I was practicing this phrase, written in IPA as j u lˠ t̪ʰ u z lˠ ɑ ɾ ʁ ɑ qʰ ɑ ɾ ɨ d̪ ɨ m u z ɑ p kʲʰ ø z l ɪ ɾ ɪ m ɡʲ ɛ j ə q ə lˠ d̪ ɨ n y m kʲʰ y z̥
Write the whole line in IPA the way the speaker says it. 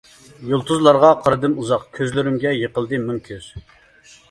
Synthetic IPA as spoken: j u lˠ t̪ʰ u z lˠ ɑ ɾ ʁ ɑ qʰ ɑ ɾ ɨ d̪ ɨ m u z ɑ q kʲʰ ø z l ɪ ɾ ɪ m ɡʲ ɛ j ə q ə lˠ d̪ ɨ m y m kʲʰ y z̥

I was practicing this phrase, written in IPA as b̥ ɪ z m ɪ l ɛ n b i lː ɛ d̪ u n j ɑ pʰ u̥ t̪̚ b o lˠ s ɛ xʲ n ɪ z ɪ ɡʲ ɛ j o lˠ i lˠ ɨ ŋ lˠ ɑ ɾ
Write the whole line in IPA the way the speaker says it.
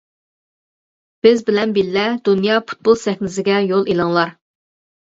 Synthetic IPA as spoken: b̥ ɪ z b ɪ l ɛ n b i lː ɛ d̪ u n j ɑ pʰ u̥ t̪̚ b o lˠ s ɛ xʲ n ɪ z ɪ ɡʲ ɛ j o lˠ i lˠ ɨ ŋ lˠ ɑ ɾ

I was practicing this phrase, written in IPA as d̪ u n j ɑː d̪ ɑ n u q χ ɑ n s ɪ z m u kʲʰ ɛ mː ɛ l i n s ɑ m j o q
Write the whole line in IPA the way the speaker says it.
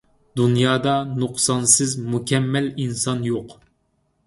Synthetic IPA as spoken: d̪ u n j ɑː d̪ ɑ n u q s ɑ n s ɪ z m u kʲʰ ɛ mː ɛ l i n s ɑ n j o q

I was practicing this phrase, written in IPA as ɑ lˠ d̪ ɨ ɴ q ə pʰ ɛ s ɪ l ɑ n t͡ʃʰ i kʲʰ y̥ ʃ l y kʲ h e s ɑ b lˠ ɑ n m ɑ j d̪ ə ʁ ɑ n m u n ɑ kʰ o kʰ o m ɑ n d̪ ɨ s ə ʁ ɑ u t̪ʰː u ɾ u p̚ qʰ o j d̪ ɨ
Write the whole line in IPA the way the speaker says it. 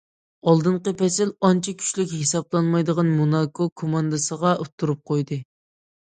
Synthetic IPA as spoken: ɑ lˠ d̪ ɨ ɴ q ə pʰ ɛ s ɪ l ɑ n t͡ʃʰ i kʲʰ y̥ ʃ l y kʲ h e s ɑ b lˠ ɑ n m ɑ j d̪ ə ʁ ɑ n m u n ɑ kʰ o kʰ o m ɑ n d̪ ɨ s ə ʁ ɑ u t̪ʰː u ɾ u p̚ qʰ o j d̪ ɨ

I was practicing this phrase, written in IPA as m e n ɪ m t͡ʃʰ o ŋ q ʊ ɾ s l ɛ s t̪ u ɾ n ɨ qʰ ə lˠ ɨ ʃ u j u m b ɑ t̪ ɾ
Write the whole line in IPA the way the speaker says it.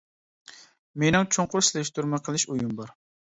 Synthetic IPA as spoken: m e n ɪ ŋ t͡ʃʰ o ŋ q ʊ ɾ s l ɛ ʃ t̪ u ɾ m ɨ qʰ ə lˠ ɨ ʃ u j u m b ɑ ɾ

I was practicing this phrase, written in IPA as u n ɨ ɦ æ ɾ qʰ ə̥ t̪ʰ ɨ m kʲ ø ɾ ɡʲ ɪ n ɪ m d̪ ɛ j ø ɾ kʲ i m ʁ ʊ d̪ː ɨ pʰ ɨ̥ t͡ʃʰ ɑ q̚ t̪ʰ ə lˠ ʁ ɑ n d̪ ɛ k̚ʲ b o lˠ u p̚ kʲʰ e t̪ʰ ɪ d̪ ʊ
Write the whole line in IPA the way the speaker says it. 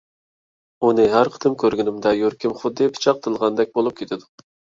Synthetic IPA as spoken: u n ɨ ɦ æ ɾ qʰ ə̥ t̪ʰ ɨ m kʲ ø ɾ ɡʲ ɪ n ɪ m d̪ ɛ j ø ɾ kʲ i m χ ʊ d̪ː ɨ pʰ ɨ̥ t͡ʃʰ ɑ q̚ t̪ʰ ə lˠ ʁ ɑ n d̪ ɛ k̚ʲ b o lˠ u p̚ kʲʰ e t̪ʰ ɪ d̪ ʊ

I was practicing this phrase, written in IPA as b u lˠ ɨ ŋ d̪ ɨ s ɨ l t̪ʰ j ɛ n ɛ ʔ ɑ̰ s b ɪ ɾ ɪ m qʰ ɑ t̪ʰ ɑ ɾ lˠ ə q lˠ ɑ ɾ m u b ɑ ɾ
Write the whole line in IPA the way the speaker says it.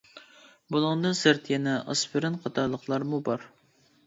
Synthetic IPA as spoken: b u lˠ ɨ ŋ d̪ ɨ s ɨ ɾ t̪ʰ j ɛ n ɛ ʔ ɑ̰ s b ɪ ɾ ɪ n qʰ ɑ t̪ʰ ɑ ɾ lˠ ə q lˠ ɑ ɾ m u b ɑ ɾ

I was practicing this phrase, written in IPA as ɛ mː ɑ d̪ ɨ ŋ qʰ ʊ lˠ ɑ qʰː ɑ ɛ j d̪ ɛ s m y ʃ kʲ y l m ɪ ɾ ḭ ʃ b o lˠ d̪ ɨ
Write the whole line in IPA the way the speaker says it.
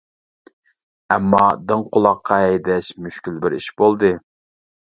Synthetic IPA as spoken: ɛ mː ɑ d̪ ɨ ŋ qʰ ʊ lˠ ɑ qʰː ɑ ɛ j d̪ ɛ ʃ m y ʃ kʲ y l b ɪ ɾ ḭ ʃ b o lˠ d̪ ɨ

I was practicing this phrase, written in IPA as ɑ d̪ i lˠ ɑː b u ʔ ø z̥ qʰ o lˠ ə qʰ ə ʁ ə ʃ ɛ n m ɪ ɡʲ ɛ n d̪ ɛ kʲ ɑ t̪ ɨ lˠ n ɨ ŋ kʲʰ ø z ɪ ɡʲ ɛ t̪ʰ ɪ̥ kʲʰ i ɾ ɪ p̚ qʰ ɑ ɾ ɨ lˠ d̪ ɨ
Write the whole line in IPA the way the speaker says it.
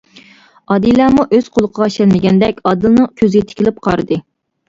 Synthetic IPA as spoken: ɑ d̪ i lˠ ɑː m u ʔ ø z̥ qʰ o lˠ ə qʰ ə ʁ ɑ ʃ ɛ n m ɪ ɡʲ ɛ n d̪ ɛ kʲ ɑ d̪ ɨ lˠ n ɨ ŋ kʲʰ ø z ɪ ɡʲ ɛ t̪ʰ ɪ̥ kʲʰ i l ɪ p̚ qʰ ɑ ɾ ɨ d̪ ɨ

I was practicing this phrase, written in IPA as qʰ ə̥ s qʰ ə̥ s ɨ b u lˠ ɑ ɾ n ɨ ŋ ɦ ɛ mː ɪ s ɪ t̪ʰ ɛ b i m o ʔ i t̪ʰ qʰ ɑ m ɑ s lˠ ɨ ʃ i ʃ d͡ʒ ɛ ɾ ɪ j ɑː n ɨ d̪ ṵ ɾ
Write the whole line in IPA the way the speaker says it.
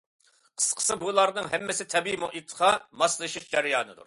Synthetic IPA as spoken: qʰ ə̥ s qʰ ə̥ s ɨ b u lˠ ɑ ɾ n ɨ ŋ ɦ ɛ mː ɪ s ɪ t̪ʰ ɛ b i m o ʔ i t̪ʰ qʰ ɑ m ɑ s lˠ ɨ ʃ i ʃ d͡ʒ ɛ ɾ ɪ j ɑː n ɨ d̪ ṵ ɾ

